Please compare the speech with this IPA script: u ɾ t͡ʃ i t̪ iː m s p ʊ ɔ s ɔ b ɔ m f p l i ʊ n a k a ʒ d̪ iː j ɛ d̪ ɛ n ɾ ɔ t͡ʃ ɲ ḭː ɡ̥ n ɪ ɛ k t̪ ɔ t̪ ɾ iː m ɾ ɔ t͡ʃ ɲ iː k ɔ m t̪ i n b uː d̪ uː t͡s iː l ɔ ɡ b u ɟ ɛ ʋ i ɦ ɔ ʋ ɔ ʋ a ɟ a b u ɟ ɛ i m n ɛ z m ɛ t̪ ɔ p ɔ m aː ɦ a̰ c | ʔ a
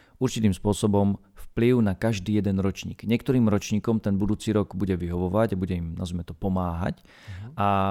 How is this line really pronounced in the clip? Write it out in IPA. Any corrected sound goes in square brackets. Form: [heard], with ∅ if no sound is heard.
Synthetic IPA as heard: u ɾ t͡ʃ i t̪ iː m s p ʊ ɔ s ɔ b ɔ m f p l i ʊ n a k a ʒ d̪ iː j ɛ d̪ ɛ n ɾ ɔ t͡ʃ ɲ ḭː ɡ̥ [ɲ] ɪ ɛ k t̪ ɔ [∅] ɾ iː m ɾ ɔ t͡ʃ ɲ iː k ɔ m t̪ [ɛ] n b [u] d̪ uː t͡s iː [ɾ] ɔ ɡ b u ɟ ɛ ʋ i ɦ ɔ ʋ ɔ ʋ a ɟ a b u ɟ ɛ i m n [a] z m ɛ t̪ ɔ p ɔ m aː ɦ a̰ c | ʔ a